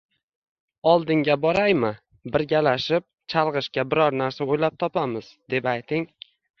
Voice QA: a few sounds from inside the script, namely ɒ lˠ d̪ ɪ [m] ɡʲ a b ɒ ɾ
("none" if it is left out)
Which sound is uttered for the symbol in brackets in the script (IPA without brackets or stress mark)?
ŋ